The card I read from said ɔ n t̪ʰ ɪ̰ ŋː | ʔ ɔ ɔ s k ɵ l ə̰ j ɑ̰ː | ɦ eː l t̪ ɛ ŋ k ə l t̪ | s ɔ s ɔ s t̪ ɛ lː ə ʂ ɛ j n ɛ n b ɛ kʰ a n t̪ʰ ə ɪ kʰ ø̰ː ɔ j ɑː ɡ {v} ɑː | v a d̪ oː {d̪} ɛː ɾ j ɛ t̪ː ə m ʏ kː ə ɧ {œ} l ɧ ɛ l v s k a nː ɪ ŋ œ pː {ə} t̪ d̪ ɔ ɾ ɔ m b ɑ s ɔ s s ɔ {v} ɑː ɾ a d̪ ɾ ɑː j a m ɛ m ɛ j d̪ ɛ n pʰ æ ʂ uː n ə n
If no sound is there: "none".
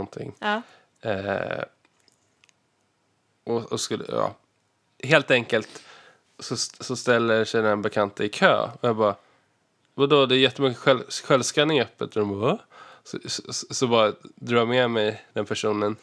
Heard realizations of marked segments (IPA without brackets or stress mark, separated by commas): b, d̪, ɛ, ə, b